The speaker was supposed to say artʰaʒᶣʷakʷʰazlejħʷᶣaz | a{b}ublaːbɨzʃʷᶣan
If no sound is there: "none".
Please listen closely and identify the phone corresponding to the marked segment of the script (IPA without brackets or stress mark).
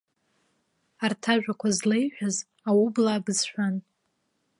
w